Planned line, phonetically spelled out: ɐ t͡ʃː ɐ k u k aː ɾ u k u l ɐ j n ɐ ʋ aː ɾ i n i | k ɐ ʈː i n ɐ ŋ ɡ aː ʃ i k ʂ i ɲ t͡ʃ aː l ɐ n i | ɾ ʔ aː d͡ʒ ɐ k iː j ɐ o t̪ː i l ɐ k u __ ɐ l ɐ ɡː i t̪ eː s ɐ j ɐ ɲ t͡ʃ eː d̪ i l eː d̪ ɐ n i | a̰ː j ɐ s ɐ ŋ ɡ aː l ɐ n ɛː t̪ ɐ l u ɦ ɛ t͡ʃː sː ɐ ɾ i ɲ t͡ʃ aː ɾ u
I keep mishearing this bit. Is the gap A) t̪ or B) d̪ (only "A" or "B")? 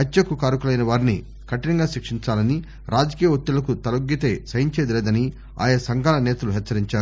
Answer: A